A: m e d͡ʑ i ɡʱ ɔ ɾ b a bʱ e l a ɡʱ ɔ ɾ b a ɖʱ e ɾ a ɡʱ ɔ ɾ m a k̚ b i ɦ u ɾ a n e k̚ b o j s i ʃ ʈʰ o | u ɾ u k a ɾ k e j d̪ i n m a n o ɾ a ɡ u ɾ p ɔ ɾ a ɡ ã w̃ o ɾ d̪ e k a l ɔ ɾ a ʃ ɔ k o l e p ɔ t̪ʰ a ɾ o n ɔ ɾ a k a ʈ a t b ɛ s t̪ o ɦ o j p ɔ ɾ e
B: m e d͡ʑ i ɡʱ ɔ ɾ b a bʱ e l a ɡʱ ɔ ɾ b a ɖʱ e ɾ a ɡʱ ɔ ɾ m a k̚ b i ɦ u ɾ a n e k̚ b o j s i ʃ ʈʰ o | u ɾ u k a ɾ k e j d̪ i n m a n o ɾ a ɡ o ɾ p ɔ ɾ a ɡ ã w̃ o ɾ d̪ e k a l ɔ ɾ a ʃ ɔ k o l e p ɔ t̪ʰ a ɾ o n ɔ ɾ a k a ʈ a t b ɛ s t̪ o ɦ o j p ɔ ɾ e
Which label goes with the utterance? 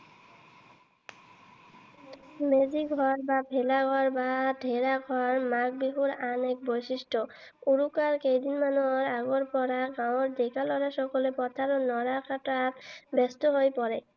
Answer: B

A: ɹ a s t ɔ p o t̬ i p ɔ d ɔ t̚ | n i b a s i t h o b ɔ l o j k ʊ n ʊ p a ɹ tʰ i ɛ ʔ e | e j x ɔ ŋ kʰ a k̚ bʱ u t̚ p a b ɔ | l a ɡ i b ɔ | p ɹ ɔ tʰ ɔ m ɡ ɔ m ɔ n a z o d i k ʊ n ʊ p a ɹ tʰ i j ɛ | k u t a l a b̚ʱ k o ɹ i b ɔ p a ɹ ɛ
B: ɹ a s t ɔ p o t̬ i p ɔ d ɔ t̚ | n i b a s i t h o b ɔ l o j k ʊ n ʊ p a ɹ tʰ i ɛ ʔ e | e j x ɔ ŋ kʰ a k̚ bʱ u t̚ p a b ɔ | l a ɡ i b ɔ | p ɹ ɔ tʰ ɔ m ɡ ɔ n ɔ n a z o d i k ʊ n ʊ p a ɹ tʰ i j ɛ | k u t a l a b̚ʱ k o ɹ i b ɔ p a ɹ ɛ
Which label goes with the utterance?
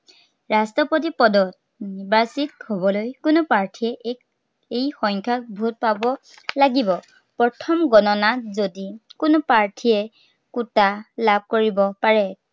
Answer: B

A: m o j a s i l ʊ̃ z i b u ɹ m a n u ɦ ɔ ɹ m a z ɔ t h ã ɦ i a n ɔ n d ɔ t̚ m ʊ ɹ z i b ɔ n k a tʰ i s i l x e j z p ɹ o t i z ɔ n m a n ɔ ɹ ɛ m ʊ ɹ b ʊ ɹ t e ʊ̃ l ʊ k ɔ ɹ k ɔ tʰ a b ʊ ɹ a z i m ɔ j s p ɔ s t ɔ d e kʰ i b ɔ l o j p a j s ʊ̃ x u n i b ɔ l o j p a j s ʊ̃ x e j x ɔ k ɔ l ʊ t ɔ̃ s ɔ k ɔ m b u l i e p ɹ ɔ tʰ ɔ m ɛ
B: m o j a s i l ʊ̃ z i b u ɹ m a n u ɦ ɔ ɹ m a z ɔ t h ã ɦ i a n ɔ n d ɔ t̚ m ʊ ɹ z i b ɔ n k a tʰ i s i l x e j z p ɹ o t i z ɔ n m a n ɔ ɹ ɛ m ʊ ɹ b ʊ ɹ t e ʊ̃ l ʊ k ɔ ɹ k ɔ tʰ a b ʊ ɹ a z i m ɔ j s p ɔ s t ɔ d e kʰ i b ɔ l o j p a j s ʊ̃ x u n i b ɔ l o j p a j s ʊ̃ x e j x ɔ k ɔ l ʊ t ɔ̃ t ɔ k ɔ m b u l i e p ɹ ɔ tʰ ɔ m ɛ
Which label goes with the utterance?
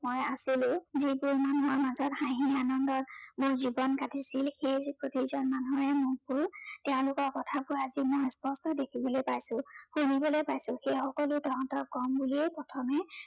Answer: B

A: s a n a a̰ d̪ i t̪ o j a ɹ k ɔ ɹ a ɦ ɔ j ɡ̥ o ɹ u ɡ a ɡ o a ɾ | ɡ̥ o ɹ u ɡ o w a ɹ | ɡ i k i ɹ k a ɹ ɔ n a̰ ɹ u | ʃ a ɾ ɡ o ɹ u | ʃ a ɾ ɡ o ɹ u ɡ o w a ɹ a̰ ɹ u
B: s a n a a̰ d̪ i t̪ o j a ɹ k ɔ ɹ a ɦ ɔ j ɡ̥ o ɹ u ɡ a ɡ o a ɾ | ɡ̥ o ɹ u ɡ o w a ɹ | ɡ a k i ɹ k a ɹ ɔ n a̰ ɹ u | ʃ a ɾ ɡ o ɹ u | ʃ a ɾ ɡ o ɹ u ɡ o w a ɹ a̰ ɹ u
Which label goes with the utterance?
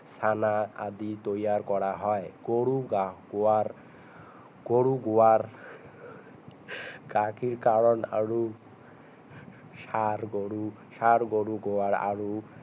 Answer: B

